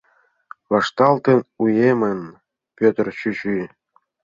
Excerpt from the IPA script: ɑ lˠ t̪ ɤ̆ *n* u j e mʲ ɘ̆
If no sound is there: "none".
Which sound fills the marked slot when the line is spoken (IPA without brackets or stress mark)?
n